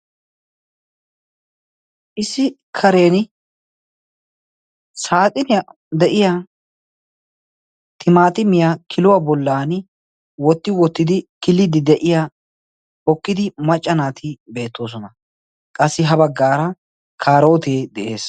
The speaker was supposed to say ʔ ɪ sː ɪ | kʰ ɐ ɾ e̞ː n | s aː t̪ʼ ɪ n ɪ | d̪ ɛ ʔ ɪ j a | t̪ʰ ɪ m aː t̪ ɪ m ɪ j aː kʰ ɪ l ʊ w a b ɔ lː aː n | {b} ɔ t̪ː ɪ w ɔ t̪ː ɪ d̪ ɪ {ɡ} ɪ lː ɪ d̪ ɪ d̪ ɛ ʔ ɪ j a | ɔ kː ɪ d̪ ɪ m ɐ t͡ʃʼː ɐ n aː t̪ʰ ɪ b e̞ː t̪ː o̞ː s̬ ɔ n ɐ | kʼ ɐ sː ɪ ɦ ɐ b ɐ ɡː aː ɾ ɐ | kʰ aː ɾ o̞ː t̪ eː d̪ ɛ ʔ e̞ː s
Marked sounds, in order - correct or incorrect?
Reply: incorrect: w, incorrect: k

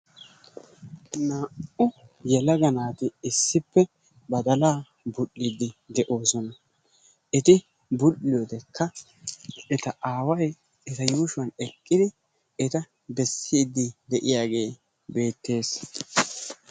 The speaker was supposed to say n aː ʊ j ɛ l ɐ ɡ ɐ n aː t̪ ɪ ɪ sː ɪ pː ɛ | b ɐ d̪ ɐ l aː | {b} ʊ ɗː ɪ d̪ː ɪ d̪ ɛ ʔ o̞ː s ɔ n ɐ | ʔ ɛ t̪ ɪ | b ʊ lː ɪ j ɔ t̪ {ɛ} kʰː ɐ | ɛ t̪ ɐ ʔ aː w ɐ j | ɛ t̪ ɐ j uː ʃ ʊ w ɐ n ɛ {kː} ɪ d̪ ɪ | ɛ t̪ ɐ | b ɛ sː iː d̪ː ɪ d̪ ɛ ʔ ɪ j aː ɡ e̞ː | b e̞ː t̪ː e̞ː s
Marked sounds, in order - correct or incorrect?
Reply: correct, correct, incorrect: kʼː

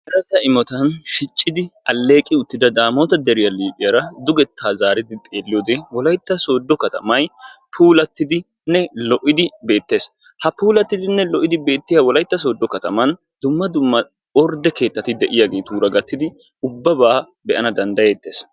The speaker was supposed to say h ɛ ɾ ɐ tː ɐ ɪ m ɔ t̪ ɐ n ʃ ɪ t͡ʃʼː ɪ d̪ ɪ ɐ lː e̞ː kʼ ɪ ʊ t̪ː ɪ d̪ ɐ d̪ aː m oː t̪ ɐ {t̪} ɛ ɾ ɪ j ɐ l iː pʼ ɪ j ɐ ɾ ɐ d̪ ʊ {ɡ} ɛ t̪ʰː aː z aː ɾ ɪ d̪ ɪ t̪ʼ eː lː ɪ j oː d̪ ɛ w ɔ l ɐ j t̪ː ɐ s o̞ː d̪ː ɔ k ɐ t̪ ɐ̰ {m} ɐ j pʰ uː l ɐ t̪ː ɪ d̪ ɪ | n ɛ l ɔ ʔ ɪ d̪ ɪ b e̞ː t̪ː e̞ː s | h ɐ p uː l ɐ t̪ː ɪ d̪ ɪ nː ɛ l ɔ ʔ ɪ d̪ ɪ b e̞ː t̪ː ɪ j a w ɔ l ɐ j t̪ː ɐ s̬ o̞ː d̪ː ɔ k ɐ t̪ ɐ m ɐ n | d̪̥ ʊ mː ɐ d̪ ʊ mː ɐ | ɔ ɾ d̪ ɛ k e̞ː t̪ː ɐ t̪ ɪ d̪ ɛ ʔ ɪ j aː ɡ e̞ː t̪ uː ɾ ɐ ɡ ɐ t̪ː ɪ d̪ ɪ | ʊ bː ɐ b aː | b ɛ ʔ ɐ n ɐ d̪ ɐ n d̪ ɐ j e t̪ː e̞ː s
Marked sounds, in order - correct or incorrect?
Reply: incorrect: d̪, correct, correct

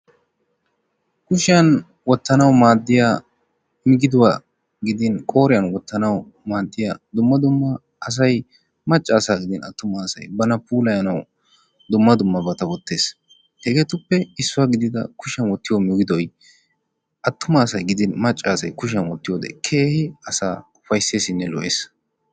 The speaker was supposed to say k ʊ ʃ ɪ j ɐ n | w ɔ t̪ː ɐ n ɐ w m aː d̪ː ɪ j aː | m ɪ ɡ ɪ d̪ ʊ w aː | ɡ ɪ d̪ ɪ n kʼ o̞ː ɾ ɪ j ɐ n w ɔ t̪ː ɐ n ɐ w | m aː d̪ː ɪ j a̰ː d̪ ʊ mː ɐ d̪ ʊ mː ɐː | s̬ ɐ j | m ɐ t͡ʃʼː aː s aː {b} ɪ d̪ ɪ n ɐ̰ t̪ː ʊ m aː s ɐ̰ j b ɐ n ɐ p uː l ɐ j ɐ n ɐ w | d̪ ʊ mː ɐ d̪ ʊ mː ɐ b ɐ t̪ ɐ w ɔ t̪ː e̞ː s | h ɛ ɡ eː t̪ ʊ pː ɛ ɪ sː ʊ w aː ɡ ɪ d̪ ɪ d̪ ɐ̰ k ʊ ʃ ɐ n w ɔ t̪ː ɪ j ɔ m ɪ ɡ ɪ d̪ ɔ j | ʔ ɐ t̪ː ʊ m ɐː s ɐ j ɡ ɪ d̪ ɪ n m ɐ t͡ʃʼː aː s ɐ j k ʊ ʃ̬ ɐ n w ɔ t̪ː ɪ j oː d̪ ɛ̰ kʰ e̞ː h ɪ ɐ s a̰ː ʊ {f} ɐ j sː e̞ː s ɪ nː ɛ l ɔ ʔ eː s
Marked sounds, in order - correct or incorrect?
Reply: incorrect: ɡ, correct

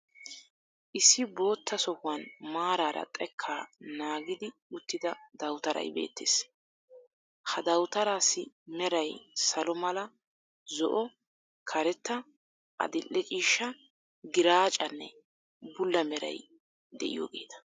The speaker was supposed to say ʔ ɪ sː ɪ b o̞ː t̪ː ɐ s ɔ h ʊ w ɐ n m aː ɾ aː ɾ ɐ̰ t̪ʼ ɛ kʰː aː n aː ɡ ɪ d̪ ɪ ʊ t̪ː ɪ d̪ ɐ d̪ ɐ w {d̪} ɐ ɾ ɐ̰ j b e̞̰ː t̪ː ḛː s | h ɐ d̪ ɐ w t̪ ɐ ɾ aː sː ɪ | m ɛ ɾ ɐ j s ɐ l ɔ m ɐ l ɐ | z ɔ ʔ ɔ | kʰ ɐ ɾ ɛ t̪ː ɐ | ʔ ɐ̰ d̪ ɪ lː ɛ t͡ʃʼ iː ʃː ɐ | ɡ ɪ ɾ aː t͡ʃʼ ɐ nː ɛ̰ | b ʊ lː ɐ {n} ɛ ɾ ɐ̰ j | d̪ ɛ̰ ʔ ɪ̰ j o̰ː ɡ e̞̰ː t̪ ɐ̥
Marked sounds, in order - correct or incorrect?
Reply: incorrect: t̪, incorrect: m

